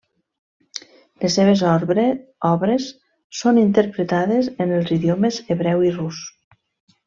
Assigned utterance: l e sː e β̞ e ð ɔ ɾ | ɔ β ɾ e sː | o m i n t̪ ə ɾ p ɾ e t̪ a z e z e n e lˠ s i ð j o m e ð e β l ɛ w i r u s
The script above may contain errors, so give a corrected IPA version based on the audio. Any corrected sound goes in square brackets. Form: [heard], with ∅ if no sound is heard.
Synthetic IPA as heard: l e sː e β̞ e [z] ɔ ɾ | ɔ β ɾ e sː | o [n] i n t̪ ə ɾ p ɾ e t̪ a [ð] e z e n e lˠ [z] i ð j o m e [z] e β [ɾ] ɛ w i r u s